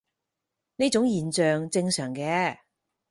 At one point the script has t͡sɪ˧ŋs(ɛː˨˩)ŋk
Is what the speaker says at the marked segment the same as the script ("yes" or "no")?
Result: no